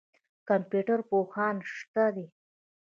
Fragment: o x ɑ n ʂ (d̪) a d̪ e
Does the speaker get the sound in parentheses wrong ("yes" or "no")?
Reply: yes